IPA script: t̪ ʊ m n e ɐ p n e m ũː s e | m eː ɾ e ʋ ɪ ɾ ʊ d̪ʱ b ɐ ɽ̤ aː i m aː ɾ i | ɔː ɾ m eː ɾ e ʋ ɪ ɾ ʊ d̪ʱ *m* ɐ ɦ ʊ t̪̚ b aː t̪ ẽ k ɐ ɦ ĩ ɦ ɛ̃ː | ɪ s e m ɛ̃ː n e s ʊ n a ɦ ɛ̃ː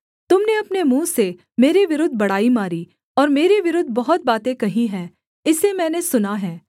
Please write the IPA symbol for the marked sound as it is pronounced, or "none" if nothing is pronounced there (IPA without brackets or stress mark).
b